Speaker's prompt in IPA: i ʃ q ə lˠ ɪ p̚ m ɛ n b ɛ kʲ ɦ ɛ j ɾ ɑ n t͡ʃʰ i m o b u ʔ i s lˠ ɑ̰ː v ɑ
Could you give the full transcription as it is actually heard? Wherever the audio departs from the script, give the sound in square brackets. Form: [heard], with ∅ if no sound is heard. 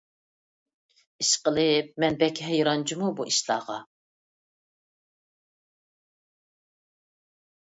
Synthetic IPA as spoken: i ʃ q ə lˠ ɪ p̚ m ɛ n b ɛ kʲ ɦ ɛ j ɾ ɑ n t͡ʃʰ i m [u] b u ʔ i [ʃ] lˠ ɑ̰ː [ʁ] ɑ